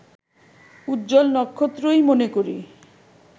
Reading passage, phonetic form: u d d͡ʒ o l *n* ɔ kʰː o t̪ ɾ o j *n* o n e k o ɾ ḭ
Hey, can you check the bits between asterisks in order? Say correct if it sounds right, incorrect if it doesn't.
correct, incorrect: m

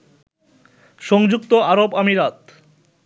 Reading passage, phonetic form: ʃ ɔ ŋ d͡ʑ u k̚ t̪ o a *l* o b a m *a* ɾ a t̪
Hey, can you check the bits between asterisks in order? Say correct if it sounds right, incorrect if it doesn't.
incorrect: ɾ, incorrect: i

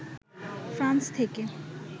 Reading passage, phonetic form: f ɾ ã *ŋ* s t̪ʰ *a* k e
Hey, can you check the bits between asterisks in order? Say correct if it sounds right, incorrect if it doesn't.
incorrect: n, incorrect: e

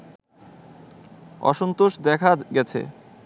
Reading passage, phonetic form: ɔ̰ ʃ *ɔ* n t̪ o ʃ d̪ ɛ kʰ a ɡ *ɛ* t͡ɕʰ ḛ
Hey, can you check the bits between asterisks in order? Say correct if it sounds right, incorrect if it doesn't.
incorrect: o, correct

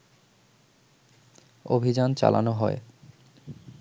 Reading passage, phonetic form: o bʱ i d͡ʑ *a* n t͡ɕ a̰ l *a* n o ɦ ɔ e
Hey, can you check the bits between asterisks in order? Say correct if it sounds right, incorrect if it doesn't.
correct, correct

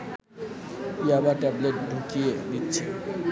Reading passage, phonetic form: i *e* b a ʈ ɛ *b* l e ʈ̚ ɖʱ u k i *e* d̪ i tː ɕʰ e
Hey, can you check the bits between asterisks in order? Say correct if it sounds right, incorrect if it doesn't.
incorrect: a, correct, correct

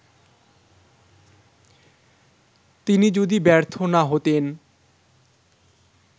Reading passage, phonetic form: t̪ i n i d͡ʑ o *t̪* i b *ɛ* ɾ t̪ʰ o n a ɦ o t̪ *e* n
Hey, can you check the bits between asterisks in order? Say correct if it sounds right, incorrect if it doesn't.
incorrect: d̪, correct, correct

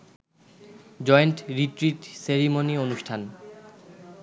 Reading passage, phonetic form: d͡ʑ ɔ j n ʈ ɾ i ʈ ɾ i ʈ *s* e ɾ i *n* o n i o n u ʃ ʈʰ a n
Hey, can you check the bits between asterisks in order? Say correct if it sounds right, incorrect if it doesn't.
correct, incorrect: m

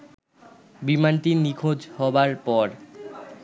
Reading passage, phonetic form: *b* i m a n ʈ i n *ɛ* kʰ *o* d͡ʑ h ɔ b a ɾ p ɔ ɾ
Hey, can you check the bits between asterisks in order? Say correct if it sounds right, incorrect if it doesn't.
correct, incorrect: i, correct

